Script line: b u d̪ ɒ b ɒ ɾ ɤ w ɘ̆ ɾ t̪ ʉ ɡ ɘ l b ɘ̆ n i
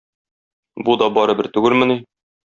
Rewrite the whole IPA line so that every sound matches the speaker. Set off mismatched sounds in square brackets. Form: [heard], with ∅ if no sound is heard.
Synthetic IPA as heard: b u d̪ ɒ b ɒ ɾ ɤ [b] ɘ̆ ɾ t̪ ʉ ɡ ɘ l [m] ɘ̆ n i